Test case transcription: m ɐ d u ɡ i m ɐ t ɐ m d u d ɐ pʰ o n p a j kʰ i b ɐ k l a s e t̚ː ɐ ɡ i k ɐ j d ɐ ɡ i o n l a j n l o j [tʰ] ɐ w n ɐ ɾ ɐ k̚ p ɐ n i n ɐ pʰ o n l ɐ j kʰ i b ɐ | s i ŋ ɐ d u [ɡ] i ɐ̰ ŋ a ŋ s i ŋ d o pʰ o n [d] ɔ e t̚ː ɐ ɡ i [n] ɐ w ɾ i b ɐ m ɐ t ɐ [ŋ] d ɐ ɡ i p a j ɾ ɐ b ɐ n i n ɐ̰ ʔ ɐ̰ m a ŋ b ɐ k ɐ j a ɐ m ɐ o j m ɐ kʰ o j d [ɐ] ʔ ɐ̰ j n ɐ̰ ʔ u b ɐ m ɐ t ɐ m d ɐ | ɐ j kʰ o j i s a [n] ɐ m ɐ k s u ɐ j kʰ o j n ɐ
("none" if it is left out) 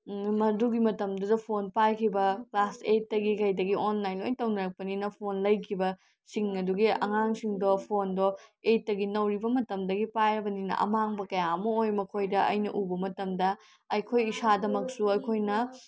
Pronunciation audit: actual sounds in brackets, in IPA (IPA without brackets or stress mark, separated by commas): t, ɡ, d, n, m, ɐ, d